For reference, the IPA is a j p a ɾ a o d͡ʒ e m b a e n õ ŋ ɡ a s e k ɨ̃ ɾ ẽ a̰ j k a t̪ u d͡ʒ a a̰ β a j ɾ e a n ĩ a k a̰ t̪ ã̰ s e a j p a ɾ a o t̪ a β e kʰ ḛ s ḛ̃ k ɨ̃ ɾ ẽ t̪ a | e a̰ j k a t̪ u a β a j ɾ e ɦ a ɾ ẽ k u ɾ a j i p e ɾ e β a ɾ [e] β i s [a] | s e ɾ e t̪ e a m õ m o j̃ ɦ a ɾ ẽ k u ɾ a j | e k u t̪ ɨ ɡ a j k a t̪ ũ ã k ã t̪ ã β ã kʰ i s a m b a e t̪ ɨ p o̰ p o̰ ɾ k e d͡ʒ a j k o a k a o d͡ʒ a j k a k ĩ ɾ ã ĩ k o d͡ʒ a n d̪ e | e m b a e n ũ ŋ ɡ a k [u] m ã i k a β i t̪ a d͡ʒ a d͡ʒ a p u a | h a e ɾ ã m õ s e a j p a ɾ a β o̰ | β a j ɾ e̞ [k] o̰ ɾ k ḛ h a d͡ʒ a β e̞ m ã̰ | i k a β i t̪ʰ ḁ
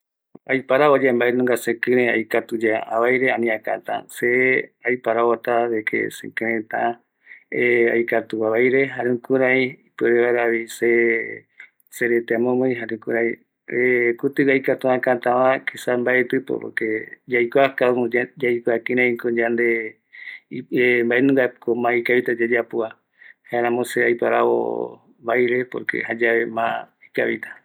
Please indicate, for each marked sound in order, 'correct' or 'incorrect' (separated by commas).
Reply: incorrect, incorrect, incorrect, incorrect